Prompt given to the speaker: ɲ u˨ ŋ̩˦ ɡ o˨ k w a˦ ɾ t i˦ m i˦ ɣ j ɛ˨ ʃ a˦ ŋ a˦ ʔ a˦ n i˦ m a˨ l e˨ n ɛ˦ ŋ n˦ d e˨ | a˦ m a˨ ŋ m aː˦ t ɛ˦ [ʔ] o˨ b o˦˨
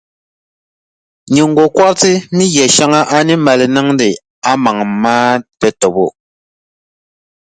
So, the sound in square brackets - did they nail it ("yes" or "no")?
no